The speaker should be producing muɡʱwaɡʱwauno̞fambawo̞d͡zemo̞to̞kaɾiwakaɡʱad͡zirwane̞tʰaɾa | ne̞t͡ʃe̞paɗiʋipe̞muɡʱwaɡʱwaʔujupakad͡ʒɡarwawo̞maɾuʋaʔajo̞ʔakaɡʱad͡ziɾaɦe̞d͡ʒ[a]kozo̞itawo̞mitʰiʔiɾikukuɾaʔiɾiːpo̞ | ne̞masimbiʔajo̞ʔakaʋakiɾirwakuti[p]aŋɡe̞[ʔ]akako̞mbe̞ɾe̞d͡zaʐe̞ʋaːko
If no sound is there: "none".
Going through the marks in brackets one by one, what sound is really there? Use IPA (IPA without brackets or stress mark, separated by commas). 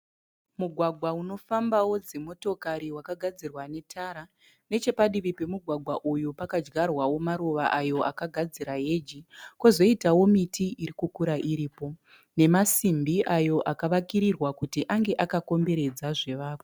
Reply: i, ʔ, ʔ